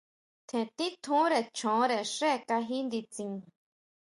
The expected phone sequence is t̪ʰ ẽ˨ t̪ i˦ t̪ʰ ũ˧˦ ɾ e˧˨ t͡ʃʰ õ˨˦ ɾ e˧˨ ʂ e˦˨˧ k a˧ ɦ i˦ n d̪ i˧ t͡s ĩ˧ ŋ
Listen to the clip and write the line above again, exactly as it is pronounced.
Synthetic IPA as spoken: t̪ʰ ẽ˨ t̪ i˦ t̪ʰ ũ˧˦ ɾ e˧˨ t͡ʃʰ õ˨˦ ɾ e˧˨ ʂ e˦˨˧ k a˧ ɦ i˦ n d̪ i˧ t͡s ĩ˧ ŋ